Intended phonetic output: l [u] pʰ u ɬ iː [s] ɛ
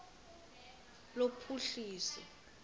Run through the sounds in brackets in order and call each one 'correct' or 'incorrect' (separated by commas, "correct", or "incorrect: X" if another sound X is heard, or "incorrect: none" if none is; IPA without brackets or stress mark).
incorrect: o, correct